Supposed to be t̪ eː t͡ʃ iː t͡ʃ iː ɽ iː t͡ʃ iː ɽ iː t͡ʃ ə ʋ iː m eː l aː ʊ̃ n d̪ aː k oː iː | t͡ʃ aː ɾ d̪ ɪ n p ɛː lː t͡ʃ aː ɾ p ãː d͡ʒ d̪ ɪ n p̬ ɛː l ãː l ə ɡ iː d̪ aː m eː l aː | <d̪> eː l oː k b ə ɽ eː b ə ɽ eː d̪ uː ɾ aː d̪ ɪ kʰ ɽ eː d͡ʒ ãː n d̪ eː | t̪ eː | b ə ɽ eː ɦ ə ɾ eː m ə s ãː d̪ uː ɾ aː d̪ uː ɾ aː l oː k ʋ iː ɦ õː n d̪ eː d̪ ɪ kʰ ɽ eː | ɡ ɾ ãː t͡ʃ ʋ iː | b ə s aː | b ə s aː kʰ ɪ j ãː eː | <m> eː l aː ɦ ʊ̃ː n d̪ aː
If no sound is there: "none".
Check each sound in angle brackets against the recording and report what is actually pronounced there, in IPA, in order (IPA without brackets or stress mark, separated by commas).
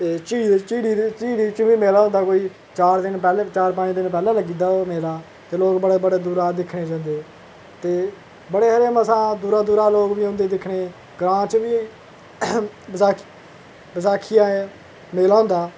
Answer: t̪, m